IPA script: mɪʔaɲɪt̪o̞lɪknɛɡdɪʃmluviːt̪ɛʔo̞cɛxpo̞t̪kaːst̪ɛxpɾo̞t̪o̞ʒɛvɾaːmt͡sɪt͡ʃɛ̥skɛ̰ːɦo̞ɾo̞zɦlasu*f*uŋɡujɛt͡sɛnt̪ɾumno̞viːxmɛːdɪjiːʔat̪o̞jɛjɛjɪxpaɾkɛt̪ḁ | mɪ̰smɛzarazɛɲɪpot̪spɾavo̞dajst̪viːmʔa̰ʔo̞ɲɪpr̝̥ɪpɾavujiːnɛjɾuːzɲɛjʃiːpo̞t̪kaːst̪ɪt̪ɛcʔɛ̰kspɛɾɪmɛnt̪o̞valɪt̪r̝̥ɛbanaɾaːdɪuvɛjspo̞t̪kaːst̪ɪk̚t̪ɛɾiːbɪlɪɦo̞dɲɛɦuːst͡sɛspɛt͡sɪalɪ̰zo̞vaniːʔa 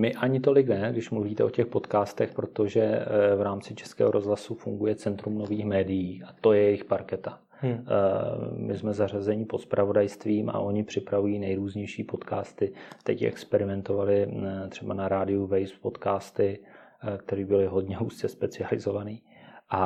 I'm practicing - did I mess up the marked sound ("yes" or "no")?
no